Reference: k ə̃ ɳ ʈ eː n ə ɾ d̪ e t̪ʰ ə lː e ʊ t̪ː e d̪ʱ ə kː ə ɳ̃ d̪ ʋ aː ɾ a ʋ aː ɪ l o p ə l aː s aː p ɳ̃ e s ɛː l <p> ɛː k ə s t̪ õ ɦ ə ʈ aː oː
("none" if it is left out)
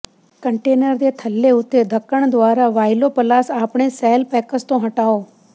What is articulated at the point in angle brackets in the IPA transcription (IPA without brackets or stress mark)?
p